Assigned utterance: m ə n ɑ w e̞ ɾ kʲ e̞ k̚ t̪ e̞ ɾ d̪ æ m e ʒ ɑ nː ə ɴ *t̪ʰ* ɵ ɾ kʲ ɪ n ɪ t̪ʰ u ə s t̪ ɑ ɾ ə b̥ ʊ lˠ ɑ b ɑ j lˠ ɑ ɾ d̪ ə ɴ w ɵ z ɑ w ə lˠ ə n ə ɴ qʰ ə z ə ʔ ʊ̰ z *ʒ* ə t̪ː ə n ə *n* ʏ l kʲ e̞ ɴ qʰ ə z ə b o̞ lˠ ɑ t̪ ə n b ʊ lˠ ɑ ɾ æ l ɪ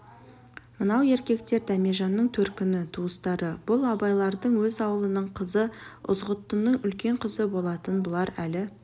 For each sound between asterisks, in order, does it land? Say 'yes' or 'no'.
yes, no, no

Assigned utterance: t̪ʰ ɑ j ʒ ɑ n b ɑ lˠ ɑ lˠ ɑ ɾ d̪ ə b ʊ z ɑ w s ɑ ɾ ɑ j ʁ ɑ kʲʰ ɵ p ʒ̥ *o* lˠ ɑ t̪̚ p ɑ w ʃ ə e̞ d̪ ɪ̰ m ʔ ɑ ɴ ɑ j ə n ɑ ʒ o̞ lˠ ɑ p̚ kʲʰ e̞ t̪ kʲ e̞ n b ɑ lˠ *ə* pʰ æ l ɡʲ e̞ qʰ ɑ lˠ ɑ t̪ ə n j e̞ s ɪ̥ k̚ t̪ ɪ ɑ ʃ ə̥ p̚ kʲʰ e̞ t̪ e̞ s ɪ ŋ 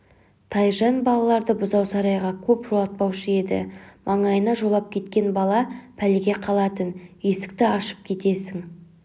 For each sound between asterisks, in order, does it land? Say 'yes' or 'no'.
yes, no

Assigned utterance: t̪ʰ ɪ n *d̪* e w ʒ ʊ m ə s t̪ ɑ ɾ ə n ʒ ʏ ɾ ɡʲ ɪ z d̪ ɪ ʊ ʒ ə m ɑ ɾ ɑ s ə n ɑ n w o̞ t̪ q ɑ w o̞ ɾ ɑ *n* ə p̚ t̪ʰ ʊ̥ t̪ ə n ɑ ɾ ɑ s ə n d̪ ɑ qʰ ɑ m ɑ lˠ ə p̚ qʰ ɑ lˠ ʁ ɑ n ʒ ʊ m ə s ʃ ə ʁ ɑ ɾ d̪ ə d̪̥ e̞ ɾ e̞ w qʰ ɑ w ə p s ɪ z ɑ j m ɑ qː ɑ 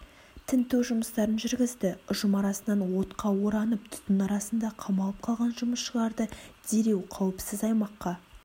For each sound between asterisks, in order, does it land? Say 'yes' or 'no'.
no, yes

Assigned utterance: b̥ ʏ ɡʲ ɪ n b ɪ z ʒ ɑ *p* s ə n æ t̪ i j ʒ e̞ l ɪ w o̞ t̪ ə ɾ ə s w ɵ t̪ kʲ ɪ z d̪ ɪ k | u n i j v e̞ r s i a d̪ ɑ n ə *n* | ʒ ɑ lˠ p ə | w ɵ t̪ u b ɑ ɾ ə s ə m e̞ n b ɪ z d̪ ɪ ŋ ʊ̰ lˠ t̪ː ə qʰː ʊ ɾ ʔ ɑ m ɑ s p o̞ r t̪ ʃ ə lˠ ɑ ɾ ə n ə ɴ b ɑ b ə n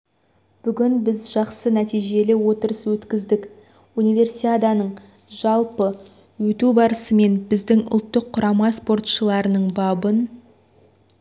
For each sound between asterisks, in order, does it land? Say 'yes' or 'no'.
no, no

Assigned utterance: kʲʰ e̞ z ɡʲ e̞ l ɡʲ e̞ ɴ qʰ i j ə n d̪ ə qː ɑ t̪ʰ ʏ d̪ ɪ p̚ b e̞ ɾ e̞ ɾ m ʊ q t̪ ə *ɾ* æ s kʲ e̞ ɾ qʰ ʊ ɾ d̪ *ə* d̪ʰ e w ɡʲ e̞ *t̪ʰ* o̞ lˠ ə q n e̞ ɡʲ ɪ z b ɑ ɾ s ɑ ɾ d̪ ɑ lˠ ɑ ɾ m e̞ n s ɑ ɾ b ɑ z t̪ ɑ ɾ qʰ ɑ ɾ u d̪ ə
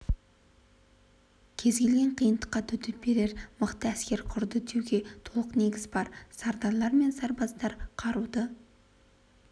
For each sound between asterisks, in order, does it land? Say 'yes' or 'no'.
no, yes, yes

